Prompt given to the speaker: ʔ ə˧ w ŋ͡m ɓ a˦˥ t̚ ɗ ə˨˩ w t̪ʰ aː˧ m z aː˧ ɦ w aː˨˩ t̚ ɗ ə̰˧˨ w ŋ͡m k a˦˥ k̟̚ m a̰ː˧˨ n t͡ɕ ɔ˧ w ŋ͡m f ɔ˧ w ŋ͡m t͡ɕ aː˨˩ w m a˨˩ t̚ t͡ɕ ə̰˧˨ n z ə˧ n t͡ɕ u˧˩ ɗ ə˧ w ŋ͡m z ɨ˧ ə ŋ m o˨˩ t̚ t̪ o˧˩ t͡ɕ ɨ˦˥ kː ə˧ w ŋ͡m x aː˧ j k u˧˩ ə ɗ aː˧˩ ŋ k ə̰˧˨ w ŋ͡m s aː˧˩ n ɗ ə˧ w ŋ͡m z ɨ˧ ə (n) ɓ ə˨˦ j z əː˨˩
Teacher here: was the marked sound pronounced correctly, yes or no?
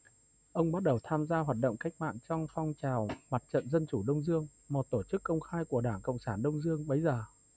no